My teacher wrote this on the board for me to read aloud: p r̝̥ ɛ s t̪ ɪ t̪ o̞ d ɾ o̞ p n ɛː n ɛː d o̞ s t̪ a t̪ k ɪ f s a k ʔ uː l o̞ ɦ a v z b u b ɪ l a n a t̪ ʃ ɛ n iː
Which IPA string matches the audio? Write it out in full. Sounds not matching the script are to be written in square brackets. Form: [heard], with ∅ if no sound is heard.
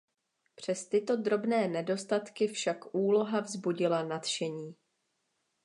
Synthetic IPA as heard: p r̝̥ ɛ s t̪ ɪ t̪ o̞ d ɾ o̞ [b] n ɛː n [ɛ] d o̞ s t̪ a t̪ k ɪ f [ʃ] a k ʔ uː l o̞ ɦ a v z b u [ɟ] ɪ l a n a t̪ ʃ ɛ [ɲ] iː